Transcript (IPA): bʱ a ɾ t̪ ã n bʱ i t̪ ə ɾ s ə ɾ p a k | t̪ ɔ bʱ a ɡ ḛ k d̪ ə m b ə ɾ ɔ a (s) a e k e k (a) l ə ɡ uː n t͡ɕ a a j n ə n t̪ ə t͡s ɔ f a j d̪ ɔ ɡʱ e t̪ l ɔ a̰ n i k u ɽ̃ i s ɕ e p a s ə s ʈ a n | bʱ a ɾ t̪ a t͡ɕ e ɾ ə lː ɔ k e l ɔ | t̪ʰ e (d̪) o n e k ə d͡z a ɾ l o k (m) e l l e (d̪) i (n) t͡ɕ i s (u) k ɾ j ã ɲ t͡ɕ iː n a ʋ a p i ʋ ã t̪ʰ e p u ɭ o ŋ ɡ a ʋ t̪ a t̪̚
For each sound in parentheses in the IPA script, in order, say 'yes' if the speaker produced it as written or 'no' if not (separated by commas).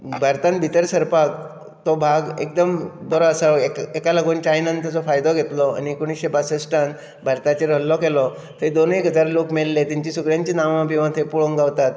yes, yes, yes, yes, no, no, yes